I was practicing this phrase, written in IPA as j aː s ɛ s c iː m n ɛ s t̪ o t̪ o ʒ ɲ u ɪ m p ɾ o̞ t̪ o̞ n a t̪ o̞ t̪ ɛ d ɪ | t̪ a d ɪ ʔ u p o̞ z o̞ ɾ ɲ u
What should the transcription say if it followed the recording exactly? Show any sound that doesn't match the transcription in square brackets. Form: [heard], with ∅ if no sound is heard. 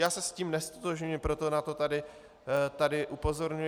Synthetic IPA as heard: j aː s ɛ s c iː m n ɛ s t̪ o t̪ o ʒ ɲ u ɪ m p ɾ o̞ t̪ o̞ n a t̪ o̞ t̪ [a] d ɪ | t̪ a d ɪ ʔ u p o̞ z o̞ ɾ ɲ u